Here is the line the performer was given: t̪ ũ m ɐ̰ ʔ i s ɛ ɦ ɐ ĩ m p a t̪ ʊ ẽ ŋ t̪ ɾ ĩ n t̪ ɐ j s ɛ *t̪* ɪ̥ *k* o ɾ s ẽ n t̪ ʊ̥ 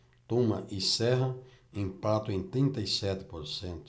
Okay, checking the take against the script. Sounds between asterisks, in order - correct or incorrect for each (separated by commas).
correct, incorrect